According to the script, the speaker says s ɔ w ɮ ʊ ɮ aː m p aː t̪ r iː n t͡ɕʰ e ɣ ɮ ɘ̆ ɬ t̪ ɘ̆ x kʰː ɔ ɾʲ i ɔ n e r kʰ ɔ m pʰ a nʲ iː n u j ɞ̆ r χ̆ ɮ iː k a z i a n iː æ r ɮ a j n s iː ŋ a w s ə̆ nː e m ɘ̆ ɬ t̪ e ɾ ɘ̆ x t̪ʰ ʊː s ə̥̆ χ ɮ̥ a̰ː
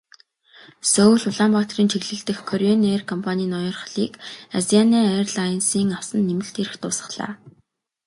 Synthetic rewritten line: s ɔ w ɮ ʊ ɮ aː m p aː t̪ r iː n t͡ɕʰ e ɣ ɮ ɘ̆ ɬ t̪ ɘ̆ x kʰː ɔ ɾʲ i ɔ n e r kʰ ɔ m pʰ a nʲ iː n ɔ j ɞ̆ r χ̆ ɮ iː k a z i a n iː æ r ɮ a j n s iː ŋ a w s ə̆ nː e m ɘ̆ ɬ t̪ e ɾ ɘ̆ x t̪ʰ ʊː s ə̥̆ χ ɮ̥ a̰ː